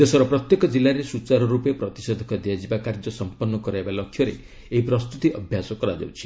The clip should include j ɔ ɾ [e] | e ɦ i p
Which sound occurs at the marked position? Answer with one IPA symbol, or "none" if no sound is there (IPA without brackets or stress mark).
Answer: e